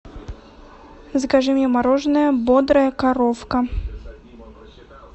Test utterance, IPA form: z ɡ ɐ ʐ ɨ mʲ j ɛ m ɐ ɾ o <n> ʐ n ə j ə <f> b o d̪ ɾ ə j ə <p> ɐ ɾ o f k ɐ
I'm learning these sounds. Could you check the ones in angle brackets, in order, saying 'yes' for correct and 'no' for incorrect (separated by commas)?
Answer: no, no, no